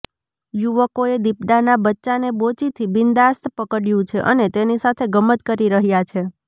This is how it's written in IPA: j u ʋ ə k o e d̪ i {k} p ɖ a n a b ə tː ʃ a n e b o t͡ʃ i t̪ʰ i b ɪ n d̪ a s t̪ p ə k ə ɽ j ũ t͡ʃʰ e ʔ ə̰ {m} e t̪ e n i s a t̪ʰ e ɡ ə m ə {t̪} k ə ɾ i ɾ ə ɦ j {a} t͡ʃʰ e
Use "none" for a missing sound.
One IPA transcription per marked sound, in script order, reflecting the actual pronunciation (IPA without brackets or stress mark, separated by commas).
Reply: none, n, t̪, a